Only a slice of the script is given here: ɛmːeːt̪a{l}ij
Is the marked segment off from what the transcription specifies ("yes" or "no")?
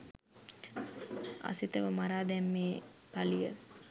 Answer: no